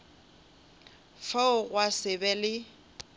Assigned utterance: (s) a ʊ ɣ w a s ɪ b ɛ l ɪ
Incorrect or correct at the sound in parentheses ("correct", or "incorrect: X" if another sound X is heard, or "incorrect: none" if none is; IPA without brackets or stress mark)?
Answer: incorrect: f